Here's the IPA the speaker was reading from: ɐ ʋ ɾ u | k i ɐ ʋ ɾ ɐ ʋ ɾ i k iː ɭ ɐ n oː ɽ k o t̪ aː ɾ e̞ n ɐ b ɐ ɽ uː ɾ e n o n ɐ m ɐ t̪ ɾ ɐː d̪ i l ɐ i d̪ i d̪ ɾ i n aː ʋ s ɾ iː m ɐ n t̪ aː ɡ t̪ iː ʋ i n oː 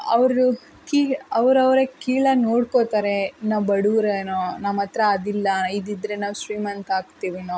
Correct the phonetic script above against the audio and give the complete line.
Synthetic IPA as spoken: ɐ ʋ ɾ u | k i ɐ ʋ ɾ ɐ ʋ ɾ e k iː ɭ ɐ n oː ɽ k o t̪ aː ɾ e̞ n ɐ b ɐ ɽ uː ɾ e n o n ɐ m ɐ t̪ ɾ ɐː d̪ i lː ɐ i d̪ i d̪ ɾ e n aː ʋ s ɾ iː m ɐ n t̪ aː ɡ t̪ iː ʋ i n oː